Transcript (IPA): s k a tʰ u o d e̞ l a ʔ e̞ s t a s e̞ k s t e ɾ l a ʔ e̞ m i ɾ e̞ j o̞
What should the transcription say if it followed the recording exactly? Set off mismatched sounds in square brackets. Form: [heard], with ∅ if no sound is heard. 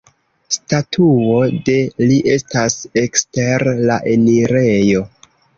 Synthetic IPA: s [t] a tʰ u o d e̞ l [i] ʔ e̞ s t a s e̞ k s t e ɾ l a ʔ e̞ [n] i ɾ e̞ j o̞